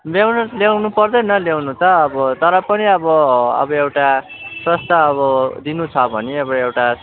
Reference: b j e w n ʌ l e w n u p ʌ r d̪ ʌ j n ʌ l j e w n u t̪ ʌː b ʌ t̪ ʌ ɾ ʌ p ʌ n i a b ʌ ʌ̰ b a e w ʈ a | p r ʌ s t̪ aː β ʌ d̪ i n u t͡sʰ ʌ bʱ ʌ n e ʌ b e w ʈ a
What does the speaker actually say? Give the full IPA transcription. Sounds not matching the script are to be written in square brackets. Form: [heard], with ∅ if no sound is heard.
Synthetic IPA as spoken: b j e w n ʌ l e w n u p ʌ r d̪ ʌ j n ʌ l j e w n u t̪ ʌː b ʌ t̪ ʌ ɾ ʌ p ʌ n i [ʌ] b ʌ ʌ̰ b [ʌ] e w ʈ a | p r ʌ s t̪ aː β ʌ d̪ i n u t͡sʰ ʌ bʱ ʌ n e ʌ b e w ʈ a